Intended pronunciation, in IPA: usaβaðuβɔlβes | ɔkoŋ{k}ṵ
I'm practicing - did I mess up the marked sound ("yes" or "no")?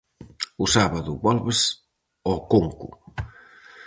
no